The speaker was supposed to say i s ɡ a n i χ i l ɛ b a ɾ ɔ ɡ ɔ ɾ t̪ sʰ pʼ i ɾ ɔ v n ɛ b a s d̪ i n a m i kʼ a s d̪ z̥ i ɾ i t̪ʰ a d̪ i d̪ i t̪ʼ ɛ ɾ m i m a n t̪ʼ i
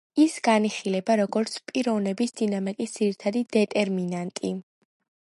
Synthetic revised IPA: i s ɡ a n i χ i l ɛ b a ɾ ɔ ɡ ɔ ɾ t̪ sʰ pʼ i ɾ ɔ v n ɛ b i s d̪ i n a m i kʼ i s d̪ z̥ i ɾ i t̪ʰ a d̪ i d̪ ɛ t̪ʼ ɛ ɾ m i n a n t̪ʼ i